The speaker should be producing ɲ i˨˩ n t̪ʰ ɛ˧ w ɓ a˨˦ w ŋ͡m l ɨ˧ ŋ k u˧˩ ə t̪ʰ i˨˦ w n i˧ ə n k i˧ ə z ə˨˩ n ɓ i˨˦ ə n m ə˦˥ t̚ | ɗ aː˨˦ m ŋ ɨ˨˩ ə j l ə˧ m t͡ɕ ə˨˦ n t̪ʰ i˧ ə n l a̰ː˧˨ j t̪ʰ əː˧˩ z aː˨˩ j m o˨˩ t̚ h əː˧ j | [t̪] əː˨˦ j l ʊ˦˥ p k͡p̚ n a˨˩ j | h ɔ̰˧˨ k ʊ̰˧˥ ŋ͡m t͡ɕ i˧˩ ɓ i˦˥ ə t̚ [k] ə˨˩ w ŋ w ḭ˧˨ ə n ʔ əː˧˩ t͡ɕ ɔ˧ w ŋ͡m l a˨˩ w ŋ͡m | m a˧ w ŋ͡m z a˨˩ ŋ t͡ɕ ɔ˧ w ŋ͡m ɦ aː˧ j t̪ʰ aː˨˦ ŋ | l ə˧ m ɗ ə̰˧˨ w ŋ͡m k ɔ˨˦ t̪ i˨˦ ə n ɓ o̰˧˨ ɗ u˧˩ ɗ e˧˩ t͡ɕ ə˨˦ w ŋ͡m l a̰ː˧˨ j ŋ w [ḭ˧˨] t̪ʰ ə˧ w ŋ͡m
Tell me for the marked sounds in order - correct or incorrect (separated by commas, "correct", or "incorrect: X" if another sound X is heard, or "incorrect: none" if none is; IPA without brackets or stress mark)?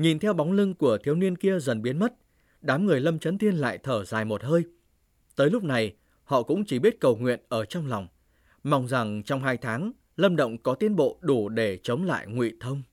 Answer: correct, correct, correct